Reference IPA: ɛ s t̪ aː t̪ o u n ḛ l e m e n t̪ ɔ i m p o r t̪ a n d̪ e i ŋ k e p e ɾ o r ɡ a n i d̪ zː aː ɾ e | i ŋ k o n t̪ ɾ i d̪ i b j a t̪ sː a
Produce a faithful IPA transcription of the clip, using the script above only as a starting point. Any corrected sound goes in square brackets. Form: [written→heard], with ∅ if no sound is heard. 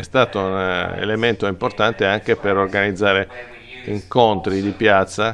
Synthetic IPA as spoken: ɛ s t̪ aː t̪ o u n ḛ l e m e n t̪ [ɔ→o] i m p o r t̪ a n [d̪→t̪] e [i→a] ŋ k e p e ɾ o r ɡ a n i d̪ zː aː ɾ e | i ŋ k o n t̪ ɾ i d̪ i [b→p] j a t̪ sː a